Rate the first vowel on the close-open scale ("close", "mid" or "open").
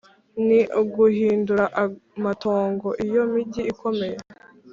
close